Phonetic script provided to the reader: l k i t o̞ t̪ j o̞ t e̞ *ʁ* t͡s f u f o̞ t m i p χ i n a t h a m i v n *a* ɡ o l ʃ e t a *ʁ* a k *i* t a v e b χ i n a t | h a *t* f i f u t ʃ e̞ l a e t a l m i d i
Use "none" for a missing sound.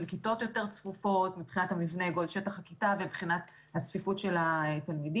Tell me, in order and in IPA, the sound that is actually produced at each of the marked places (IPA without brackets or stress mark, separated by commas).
ʁ, e, χ, i, t͡s